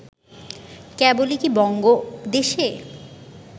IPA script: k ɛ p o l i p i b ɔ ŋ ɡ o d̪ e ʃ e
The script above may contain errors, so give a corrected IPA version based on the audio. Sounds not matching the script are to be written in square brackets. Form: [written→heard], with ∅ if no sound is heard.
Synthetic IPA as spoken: k ɛ [p→b] o l i [p→k] i b ɔ ŋ ɡ o d̪ e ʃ e